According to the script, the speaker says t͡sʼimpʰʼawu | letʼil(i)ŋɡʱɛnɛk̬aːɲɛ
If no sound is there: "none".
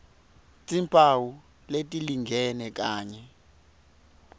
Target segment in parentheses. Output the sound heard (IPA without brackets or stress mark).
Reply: i